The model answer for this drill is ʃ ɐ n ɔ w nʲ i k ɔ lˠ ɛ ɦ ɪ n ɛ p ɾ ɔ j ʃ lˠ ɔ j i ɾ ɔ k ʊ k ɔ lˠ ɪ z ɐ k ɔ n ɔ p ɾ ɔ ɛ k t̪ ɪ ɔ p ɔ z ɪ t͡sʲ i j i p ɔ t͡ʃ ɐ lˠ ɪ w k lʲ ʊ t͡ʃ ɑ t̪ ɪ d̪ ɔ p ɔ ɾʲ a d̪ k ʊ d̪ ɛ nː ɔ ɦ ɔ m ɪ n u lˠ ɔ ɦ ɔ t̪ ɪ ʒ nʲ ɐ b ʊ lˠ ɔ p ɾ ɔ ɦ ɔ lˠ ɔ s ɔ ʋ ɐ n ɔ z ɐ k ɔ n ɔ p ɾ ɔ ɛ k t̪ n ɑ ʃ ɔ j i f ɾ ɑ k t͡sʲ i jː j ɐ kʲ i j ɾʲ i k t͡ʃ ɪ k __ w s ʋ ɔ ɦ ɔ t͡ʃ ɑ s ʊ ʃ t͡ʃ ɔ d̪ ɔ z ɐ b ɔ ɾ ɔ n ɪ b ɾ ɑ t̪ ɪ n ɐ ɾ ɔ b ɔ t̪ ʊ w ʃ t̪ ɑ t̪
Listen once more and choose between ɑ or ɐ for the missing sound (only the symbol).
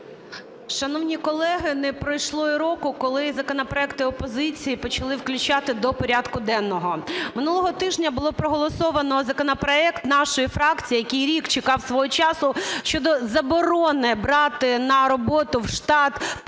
ɑ